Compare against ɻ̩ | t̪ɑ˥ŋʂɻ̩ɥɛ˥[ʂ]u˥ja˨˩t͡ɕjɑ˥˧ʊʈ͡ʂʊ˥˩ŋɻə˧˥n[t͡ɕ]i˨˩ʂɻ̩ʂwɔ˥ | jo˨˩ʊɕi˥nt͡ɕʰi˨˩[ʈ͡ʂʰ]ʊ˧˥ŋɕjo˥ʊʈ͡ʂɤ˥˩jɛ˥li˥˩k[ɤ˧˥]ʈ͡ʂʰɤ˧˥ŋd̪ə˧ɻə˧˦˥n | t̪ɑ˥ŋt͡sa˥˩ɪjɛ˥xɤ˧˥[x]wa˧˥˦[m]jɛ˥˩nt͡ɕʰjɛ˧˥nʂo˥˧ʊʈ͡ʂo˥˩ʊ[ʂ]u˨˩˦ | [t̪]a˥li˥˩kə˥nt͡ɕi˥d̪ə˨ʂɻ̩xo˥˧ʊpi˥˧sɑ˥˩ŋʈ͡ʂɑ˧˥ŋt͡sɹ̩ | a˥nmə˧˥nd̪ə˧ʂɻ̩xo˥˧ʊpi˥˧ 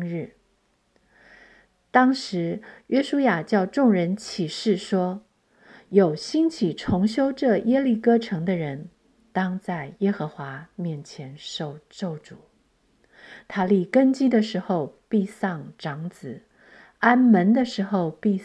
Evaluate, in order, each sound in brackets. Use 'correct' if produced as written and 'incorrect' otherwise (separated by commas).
correct, incorrect, correct, incorrect, correct, correct, incorrect, incorrect